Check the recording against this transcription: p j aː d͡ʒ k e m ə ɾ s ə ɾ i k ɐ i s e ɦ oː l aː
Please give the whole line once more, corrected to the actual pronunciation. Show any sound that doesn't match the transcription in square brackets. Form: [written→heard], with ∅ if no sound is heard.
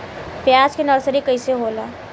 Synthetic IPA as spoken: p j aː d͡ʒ k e [m→n] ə ɾ s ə ɾ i k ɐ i s e ɦ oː l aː